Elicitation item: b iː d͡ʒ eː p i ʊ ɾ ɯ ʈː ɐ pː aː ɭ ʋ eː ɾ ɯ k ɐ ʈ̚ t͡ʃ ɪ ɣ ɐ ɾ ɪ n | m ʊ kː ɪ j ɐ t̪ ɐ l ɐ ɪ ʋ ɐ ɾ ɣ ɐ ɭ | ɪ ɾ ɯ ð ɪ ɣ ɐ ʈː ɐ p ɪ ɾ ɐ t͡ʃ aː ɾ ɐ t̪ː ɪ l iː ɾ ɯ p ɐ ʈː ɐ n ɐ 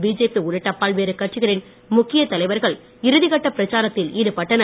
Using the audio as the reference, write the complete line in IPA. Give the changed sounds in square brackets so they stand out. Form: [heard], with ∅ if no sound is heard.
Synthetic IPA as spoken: b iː d͡ʒ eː p i ʊ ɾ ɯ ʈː ɐ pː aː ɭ ʋ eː ɾ ɯ k ɐ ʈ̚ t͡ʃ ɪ ɣ ɐ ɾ ɪ n | m ʊ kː ɪ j ɐ t̪ ɐ l ɐ ɪ ʋ ɐ ɾ ɣ ɐ ɭ | ɪ ɾ ɯ ð ɪ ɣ ɐ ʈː ɐ p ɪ ɾ ɐ t͡ʃ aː ɾ ɐ t̪ː ɪ l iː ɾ ɯ p ɐ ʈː ɐ n ɐ